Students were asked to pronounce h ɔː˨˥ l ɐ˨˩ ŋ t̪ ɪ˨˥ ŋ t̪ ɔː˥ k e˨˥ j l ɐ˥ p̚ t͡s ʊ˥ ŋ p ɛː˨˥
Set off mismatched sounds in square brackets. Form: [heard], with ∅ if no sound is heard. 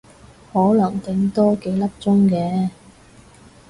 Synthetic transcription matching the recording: h ɔː˨˥ l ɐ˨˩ ŋ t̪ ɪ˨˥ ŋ t̪ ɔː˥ k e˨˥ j l ɐ˥ p̚ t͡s ʊ˥ ŋ [k] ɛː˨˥